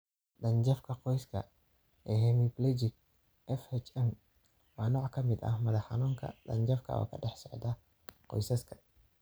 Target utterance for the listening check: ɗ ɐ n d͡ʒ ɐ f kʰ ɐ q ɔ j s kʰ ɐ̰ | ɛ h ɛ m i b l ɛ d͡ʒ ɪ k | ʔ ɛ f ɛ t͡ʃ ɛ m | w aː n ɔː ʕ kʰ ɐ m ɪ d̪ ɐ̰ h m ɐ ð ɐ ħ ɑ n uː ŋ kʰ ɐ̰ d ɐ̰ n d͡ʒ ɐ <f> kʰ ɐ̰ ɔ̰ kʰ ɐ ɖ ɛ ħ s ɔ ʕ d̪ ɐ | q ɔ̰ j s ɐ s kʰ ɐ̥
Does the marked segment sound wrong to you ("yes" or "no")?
no